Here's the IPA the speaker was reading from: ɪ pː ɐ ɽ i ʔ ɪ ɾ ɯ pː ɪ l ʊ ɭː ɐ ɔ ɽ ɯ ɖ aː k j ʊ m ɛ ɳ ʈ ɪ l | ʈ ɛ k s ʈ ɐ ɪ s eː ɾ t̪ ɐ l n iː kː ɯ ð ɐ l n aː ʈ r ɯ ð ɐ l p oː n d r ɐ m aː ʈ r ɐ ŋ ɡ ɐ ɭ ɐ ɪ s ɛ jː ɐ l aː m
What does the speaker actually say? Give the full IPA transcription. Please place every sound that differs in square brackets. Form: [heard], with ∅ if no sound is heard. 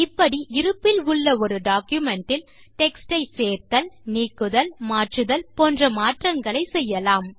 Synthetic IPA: ɪ pː ɐ ɽ i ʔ ɪ ɾ ɯ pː ɪ l ʊ ɭː ɐ ɔ [ɾ] ɯ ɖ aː k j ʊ m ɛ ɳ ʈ ɪ l | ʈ ɛ k s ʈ ɐ ɪ s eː ɾ t̪ ɐ l n iː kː ɯ ð ɐ l [m] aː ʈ r ɯ ð ɐ l p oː n d r ɐ m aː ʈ r ɐ ŋ ɡ ɐ ɭ ɐ ɪ s ɛ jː ɐ l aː m